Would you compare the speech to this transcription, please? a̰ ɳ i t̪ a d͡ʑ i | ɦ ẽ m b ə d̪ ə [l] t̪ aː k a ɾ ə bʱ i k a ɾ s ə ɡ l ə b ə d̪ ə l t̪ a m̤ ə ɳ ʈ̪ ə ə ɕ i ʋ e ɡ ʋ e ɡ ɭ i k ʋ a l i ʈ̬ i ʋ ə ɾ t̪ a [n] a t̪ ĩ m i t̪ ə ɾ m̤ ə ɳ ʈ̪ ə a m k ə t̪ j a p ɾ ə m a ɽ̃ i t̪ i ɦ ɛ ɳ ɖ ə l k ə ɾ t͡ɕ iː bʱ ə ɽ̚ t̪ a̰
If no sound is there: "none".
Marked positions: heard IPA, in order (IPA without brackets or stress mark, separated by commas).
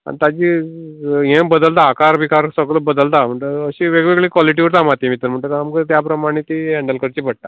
l, m